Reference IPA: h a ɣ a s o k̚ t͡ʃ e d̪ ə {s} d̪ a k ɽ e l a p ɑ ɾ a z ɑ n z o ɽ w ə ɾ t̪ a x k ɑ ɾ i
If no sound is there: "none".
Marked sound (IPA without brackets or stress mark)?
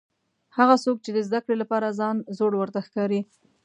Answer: z